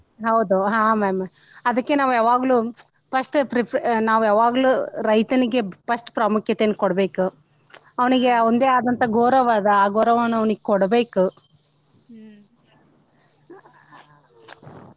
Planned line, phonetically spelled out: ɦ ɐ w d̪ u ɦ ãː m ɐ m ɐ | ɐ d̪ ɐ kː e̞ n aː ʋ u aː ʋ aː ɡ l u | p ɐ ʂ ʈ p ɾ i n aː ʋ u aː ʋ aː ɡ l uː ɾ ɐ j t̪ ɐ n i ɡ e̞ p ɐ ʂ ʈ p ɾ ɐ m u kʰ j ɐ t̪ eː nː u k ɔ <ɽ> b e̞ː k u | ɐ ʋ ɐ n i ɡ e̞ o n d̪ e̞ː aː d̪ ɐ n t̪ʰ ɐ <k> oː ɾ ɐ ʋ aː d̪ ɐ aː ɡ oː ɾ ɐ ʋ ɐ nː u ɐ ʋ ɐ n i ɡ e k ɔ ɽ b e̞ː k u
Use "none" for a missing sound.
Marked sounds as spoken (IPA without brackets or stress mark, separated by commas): ɽ, ɡ